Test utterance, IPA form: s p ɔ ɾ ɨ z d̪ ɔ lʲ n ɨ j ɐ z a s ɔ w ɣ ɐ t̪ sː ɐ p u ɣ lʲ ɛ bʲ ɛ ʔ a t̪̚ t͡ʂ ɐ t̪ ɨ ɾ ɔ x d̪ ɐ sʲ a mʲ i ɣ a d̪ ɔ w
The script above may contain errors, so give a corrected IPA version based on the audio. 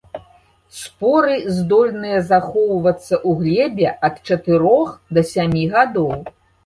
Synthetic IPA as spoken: s p ɔ ɾ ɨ z d̪ ɔ lʲ n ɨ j ɐ z a x ɔ w v ɐ t̪ sː ɐ ʔ u ɣ lʲ ɛ bʲ ɛ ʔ ɐ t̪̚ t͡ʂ ɐ t̪ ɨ ɾ ɔ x d̪ ɐ sʲ a mʲ i ɣ a d̪ ɔ w